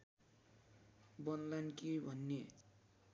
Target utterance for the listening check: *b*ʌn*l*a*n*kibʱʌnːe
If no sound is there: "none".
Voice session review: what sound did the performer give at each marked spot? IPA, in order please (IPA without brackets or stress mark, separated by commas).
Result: b, l, n